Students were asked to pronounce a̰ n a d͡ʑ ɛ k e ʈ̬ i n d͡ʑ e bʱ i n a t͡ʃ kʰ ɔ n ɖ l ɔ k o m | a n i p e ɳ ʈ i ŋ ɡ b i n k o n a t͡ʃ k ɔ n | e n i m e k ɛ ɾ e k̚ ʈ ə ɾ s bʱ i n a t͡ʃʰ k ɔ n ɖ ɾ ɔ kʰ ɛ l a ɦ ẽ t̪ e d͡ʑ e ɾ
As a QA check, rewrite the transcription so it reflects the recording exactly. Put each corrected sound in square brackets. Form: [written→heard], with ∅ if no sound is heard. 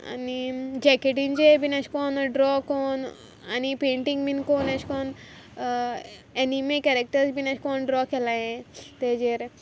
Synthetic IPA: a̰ n [a→i] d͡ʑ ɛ k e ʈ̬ i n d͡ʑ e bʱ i n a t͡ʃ [kʰ→k] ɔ n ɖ [l→ɾ] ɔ k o [m→n] | a n i p e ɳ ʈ i ŋ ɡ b i n k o n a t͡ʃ k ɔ n | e n i m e k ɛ ɾ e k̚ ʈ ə ɾ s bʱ i n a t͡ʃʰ k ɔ n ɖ ɾ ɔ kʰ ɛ l a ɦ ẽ t̪ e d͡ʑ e ɾ